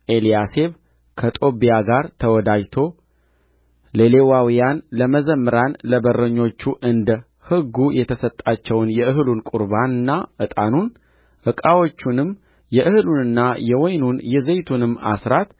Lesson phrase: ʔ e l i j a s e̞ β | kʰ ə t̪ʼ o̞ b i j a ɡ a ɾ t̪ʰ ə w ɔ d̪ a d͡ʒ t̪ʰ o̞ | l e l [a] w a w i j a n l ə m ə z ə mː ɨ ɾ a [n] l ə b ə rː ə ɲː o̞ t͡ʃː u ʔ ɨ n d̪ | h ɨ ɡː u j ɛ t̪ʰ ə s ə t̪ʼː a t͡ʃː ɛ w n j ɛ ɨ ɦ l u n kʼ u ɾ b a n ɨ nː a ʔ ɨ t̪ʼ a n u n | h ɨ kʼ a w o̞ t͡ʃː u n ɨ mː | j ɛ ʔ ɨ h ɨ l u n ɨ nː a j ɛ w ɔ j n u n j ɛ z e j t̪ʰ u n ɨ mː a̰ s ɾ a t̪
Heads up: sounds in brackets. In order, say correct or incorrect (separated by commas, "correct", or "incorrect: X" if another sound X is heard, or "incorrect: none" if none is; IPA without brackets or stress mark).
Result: incorrect: e, correct